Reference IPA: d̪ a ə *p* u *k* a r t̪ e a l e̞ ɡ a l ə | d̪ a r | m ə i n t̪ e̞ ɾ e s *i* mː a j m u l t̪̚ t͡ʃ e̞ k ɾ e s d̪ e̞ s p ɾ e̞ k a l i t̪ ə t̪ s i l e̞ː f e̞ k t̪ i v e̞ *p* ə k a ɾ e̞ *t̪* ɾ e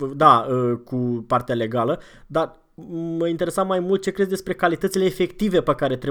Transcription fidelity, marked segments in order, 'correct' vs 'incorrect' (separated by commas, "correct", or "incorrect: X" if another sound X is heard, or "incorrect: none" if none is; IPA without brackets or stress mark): incorrect: k, incorrect: p, incorrect: a, correct, correct